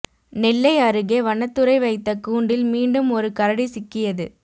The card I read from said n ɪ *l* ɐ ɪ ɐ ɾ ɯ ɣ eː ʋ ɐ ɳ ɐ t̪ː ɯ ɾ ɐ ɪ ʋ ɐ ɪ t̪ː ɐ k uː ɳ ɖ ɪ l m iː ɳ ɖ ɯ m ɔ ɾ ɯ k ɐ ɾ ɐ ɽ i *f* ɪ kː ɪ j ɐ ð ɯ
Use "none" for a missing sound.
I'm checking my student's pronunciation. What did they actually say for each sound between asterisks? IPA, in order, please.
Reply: lː, s

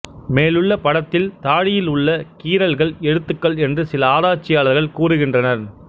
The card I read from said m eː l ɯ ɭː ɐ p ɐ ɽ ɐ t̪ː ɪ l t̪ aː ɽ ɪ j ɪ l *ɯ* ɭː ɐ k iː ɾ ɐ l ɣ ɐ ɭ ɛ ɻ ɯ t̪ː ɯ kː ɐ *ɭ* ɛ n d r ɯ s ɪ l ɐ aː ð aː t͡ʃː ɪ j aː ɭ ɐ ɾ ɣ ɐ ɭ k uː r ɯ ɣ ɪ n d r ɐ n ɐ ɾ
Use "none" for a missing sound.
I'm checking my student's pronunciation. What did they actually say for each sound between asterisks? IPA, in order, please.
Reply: ʊ, ɭ

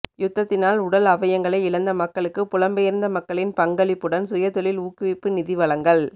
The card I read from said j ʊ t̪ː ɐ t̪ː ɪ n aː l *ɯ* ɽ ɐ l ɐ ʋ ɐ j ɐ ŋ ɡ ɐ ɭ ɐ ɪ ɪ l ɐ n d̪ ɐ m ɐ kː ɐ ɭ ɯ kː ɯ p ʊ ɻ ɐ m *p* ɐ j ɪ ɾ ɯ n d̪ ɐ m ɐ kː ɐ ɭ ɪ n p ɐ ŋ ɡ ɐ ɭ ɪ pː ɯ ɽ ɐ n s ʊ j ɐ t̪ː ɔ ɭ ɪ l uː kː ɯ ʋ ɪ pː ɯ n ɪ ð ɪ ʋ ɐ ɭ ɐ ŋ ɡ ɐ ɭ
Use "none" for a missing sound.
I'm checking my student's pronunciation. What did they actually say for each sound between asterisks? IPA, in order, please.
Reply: ʊ, b

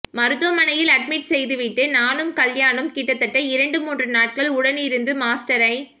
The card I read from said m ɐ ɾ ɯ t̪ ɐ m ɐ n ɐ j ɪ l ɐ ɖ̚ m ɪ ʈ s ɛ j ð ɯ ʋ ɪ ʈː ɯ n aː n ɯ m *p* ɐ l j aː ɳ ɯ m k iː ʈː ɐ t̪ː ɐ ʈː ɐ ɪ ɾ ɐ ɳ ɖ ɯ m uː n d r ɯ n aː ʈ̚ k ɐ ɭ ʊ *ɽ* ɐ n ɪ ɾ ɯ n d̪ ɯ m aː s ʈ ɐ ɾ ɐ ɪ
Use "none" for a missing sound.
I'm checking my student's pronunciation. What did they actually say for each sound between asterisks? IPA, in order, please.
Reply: k, ɽ

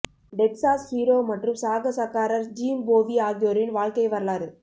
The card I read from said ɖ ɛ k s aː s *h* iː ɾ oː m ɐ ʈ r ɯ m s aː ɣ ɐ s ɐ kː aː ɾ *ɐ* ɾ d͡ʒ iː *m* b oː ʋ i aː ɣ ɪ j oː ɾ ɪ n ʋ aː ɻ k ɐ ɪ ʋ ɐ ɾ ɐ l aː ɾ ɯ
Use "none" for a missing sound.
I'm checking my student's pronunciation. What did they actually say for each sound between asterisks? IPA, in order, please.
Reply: h, ɐ, m

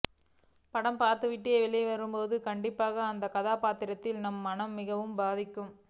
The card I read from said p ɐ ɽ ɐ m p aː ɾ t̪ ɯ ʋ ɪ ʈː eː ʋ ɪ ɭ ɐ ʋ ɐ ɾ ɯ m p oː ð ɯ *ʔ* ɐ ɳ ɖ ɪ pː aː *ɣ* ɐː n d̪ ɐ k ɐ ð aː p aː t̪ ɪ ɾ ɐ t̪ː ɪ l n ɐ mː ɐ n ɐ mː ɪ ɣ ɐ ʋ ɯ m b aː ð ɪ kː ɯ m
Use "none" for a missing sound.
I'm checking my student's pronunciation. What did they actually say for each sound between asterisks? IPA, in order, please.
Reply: k, ɣ

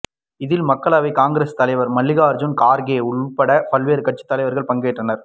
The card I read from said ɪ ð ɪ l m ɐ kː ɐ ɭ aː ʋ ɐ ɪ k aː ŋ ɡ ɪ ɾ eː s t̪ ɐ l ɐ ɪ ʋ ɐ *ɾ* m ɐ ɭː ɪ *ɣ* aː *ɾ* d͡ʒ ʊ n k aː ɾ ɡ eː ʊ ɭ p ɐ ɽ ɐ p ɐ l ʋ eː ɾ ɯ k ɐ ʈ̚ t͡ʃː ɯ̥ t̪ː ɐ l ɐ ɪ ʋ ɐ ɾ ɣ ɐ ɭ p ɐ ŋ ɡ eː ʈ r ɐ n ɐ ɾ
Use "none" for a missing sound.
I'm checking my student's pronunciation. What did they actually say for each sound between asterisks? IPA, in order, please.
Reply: ɾ, ɣ, ɾ

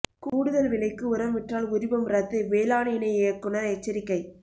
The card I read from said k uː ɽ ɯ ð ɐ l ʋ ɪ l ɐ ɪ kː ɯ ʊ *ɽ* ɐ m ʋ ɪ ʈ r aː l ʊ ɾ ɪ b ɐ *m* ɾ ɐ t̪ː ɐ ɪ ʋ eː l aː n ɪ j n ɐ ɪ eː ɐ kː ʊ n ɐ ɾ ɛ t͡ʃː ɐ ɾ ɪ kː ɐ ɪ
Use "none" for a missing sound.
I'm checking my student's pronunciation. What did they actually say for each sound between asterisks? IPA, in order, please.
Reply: ɾ, m

